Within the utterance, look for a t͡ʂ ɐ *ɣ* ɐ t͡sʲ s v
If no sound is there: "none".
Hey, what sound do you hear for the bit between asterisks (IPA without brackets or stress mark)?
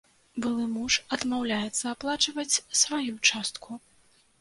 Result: v